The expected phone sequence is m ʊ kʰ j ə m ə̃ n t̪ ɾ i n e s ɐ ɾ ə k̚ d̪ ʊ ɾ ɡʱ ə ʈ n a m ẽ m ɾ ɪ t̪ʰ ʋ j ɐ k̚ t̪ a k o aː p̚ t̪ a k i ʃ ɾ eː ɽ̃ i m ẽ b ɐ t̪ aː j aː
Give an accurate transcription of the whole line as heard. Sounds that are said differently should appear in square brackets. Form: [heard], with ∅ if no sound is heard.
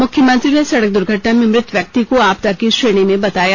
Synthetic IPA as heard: m ʊ kʰ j ə m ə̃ n t̪ ɾ i n e s ɐ [ɽ] ə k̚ d̪ ʊ ɾ ɡʱ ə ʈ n a m ẽ m ɾ ɪ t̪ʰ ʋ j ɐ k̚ t̪ [i] k o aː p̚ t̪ a k i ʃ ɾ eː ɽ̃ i m ẽ b ɐ t̪ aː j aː